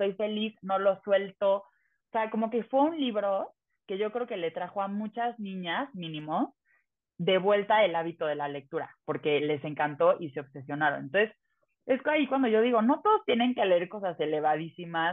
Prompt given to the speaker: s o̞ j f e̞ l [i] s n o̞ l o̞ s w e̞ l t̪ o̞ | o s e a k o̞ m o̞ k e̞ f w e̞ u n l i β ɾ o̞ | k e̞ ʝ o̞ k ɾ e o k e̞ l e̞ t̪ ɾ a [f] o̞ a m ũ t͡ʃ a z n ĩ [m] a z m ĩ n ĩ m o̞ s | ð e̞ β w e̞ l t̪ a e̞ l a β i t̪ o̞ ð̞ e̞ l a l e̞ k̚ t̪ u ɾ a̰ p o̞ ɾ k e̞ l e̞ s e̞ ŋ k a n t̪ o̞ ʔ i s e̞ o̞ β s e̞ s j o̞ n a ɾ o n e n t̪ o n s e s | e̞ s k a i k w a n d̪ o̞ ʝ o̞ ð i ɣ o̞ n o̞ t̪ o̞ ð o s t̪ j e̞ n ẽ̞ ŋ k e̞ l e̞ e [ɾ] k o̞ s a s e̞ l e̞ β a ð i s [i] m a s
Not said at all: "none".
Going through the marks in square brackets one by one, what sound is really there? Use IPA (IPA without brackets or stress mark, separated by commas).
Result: i, x, ɲ, ɾ, i